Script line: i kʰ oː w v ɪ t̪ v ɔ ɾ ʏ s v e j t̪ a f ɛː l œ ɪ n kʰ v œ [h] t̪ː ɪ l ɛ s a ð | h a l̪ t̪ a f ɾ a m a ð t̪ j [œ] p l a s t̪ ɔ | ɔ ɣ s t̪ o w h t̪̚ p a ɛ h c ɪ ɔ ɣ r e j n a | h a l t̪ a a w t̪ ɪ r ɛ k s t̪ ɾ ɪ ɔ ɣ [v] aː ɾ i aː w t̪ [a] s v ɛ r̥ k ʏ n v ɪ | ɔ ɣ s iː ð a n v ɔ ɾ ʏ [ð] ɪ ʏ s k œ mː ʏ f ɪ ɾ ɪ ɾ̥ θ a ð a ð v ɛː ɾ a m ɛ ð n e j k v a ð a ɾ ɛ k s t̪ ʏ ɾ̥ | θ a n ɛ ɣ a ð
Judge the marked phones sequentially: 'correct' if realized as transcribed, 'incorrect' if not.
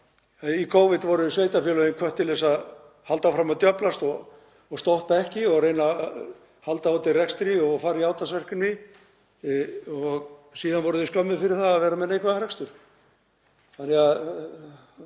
correct, correct, incorrect, correct, correct

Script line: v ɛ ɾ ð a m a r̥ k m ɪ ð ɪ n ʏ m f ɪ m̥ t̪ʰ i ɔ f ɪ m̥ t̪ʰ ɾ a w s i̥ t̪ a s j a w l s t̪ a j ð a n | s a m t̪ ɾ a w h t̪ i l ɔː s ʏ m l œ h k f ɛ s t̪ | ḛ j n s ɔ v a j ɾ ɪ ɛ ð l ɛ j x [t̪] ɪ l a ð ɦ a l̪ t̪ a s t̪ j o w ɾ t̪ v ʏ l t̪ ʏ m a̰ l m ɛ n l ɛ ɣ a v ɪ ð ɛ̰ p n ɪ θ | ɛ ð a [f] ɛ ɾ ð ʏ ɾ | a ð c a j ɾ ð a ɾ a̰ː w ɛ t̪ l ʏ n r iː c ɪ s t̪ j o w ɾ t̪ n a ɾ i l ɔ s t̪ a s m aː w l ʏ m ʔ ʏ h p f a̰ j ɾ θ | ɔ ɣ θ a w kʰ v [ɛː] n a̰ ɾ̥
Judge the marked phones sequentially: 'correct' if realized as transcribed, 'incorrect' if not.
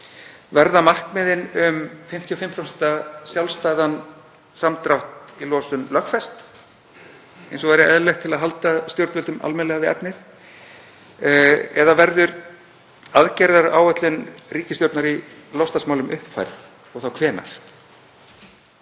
incorrect, incorrect, correct

